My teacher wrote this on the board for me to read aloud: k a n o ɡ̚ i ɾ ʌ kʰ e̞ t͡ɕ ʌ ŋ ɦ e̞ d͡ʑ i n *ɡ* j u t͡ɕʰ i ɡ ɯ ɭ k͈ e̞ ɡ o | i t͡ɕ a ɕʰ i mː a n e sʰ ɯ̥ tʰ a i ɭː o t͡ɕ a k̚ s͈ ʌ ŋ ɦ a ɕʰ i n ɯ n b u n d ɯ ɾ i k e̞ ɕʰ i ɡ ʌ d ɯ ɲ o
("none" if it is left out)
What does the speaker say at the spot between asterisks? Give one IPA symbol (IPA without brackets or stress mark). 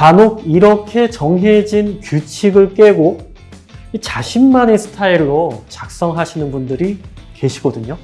k